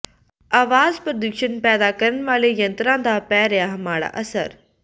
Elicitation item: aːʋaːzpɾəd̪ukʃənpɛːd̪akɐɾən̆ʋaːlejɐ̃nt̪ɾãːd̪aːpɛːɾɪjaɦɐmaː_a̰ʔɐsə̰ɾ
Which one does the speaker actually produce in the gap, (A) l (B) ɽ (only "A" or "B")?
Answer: B